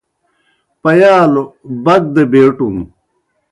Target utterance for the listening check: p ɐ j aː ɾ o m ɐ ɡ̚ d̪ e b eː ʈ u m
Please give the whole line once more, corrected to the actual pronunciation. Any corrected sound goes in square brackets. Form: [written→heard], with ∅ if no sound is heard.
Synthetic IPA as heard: p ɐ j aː [ɾ→l] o [m→b] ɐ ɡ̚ d̪ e b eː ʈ u m